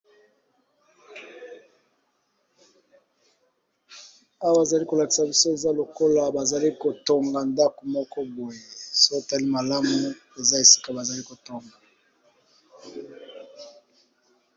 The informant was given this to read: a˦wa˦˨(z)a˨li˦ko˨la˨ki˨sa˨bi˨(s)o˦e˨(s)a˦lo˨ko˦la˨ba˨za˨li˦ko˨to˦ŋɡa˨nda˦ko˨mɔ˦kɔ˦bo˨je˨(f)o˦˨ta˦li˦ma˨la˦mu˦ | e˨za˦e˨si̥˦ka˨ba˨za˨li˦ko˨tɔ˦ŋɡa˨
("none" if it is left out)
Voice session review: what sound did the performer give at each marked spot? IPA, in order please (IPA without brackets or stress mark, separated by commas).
z, s, z, s